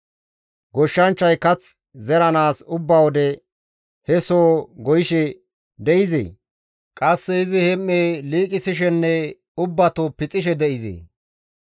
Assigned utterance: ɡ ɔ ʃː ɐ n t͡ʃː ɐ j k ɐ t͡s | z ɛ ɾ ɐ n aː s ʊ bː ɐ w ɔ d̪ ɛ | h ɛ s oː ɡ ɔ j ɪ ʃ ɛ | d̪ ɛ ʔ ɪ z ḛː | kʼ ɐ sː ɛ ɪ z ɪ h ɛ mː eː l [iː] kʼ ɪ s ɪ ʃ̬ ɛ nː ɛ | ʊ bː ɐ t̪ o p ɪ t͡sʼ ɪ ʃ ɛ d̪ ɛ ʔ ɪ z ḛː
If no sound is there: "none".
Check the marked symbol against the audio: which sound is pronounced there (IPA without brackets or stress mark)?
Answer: iː